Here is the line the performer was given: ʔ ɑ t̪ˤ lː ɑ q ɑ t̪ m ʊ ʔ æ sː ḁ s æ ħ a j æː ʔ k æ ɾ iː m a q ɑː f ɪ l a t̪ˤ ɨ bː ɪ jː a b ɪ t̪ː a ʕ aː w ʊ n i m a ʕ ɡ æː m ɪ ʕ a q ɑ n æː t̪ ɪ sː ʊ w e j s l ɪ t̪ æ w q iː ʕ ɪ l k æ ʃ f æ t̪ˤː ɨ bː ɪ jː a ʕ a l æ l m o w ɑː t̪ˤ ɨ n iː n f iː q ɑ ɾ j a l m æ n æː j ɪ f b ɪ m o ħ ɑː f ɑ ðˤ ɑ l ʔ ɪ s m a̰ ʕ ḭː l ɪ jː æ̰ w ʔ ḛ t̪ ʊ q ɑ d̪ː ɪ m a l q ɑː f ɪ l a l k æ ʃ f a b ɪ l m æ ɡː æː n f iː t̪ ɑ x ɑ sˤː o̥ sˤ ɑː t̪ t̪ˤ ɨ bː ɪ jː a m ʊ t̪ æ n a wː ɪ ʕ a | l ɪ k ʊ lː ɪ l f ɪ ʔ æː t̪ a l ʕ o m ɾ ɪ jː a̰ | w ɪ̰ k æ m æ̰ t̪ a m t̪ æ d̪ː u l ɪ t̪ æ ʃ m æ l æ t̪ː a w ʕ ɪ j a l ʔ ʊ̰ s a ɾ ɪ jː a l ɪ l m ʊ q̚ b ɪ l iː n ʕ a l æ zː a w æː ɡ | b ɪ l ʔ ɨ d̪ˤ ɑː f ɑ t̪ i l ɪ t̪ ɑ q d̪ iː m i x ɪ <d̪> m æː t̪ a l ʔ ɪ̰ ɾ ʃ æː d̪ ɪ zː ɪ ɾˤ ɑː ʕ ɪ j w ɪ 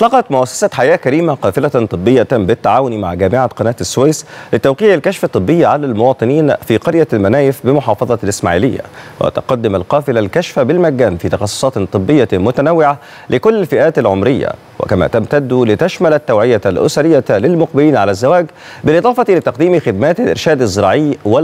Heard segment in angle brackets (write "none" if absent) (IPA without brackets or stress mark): d̪